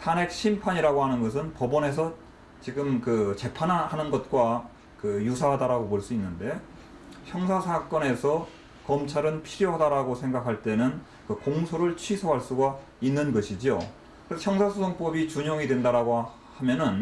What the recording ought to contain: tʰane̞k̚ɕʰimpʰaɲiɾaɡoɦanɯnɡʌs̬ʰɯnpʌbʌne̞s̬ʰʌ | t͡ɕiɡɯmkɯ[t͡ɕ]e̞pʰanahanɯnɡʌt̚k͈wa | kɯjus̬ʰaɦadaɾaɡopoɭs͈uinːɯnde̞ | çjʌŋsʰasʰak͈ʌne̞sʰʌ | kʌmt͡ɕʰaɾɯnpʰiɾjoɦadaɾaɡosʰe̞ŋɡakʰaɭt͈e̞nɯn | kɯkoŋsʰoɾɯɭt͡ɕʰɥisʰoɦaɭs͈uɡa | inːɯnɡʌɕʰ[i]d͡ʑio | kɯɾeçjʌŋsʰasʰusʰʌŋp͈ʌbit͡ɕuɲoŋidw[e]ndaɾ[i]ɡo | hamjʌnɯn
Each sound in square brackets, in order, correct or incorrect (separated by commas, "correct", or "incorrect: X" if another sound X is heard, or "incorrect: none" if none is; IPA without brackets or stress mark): correct, correct, correct, incorrect: a